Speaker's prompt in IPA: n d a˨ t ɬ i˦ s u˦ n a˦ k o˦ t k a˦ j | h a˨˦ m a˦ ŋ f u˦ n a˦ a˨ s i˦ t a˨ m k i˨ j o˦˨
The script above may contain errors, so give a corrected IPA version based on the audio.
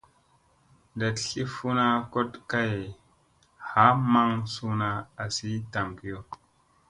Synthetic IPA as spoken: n d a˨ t ɬ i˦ f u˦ n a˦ k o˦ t k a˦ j | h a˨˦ m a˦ ŋ s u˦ n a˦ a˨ s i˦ t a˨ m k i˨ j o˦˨